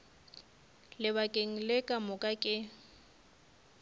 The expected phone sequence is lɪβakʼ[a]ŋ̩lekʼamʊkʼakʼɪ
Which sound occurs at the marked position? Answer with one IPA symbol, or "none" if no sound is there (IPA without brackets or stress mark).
e